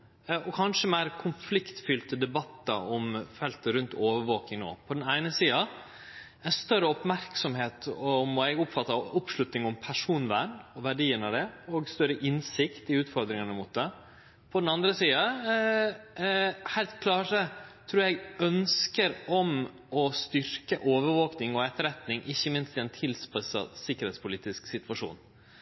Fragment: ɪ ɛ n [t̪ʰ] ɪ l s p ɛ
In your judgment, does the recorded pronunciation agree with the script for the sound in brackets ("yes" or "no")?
yes